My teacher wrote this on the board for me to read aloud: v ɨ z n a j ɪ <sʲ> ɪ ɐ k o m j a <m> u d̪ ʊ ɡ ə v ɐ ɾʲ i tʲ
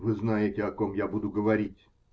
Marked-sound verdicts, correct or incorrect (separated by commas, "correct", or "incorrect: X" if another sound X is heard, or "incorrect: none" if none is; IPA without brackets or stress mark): incorrect: tʲ, incorrect: b